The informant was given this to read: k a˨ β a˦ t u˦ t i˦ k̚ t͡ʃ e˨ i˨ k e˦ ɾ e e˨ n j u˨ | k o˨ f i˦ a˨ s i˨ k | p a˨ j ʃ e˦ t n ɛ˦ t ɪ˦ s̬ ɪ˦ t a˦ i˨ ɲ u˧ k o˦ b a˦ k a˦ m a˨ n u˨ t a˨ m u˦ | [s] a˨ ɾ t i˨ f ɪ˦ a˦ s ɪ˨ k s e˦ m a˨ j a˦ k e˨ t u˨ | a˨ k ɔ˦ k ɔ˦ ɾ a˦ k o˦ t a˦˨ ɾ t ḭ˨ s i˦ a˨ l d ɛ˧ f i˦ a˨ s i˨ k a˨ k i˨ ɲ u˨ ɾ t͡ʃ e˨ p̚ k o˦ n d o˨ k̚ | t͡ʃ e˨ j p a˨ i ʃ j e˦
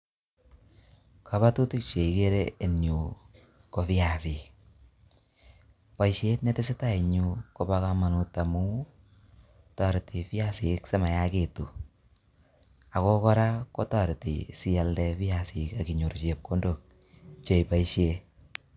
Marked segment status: incorrect: t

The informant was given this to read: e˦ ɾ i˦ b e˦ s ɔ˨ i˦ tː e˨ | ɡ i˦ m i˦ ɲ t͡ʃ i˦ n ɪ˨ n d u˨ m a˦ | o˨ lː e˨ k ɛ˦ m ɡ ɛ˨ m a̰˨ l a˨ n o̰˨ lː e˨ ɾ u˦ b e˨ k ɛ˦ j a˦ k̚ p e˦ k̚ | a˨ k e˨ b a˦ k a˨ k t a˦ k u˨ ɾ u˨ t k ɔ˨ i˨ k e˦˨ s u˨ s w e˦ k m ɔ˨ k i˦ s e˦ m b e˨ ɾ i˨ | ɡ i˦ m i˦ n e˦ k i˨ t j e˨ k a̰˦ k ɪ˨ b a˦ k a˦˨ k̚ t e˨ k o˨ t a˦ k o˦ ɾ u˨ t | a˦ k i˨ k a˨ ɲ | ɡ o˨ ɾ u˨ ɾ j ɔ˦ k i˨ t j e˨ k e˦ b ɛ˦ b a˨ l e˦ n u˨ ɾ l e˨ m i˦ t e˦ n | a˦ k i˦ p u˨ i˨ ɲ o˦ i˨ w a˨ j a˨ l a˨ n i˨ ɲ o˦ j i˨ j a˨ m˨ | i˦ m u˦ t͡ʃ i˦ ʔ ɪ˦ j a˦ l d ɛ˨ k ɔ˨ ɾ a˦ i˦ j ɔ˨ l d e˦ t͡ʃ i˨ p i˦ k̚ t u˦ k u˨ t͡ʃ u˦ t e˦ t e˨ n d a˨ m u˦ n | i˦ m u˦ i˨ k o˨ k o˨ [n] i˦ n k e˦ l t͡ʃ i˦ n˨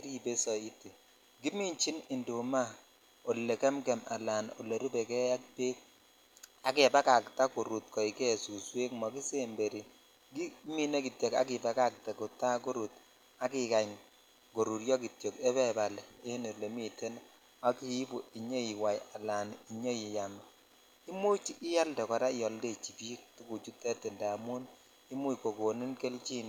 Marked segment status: correct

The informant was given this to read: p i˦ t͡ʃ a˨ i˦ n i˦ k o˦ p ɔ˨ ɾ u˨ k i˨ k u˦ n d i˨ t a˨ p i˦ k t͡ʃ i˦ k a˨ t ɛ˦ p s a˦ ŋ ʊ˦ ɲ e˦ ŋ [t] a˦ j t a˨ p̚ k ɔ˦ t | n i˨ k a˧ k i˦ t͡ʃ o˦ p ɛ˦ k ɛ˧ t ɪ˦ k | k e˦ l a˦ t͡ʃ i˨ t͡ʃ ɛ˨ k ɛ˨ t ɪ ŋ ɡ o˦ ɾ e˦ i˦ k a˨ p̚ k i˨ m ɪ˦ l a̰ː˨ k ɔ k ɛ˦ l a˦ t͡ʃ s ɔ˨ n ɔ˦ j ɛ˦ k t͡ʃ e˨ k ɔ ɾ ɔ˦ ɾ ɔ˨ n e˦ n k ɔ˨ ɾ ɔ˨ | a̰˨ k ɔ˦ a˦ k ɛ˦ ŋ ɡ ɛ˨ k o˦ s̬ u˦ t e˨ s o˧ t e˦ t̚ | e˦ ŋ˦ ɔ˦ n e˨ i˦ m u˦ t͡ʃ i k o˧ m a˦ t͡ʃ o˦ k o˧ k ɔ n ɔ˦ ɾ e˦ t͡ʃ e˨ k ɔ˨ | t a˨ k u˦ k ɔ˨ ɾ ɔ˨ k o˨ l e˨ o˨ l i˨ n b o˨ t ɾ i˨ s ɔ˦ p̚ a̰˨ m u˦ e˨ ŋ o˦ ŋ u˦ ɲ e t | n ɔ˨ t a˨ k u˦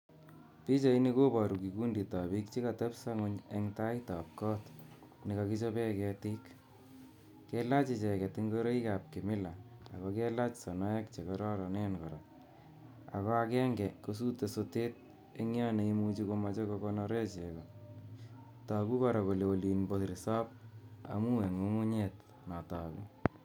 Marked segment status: correct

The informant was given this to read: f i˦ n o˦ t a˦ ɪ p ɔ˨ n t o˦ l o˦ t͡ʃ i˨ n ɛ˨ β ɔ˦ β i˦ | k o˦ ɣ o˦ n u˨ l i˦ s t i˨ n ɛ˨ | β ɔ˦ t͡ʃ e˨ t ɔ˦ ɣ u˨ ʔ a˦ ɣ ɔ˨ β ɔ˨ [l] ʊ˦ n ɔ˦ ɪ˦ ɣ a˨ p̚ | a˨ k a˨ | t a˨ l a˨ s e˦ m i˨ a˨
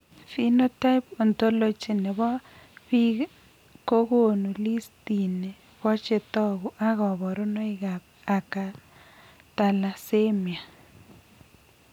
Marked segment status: incorrect: ɾ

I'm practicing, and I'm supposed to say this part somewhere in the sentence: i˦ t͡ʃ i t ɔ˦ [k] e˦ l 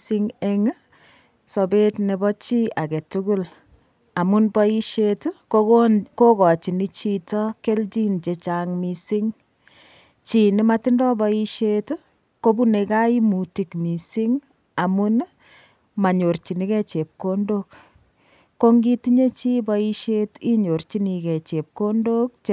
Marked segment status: correct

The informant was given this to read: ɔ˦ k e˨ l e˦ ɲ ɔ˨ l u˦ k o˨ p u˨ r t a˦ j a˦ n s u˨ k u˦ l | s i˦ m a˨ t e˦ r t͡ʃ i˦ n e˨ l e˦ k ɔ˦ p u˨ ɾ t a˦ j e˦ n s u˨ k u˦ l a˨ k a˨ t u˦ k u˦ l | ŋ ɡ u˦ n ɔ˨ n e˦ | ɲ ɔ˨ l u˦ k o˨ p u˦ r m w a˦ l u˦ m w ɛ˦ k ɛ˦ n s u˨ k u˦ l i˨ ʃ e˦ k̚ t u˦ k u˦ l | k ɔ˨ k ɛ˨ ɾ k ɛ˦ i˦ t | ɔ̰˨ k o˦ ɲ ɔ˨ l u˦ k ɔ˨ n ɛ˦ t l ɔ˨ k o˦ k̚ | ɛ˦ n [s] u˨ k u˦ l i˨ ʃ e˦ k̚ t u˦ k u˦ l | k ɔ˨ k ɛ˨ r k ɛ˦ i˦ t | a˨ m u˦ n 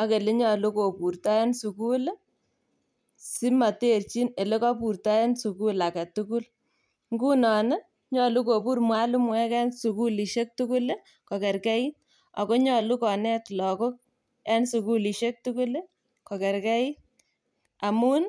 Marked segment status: correct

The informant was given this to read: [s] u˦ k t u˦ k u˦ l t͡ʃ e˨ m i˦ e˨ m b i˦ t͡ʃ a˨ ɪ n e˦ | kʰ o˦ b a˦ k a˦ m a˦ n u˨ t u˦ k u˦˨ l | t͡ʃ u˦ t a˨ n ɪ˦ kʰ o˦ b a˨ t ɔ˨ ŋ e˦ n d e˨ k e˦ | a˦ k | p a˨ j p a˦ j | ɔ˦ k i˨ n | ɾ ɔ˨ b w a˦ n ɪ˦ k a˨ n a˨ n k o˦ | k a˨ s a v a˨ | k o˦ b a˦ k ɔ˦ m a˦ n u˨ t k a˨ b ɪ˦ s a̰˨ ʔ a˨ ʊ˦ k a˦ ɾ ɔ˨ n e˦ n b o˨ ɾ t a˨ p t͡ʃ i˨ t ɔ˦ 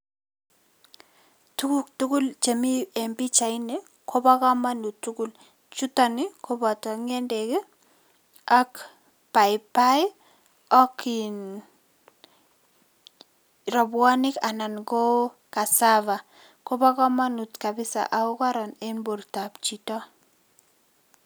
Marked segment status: incorrect: t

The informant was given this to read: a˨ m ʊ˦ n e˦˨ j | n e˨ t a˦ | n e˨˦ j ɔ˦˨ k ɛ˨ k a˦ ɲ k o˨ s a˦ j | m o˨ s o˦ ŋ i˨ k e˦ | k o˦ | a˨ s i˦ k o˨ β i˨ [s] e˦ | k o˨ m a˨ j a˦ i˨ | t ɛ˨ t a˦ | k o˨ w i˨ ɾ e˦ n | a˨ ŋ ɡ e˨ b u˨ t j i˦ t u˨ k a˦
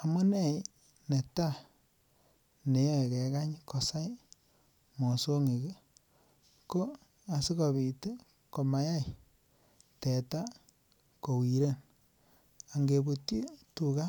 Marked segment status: incorrect: t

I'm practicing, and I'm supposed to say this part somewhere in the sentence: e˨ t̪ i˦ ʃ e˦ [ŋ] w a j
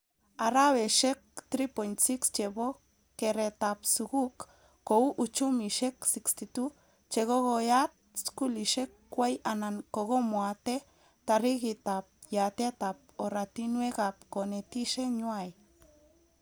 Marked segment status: incorrect: ɲ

